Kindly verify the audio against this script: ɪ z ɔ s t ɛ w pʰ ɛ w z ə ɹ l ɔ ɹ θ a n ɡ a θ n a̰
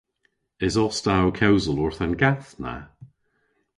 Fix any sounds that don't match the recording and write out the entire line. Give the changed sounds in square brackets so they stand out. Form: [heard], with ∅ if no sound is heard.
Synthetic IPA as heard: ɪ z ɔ s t [a] w [kʰ] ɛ w z ə [∅] l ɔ ɹ θ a n ɡ a θ n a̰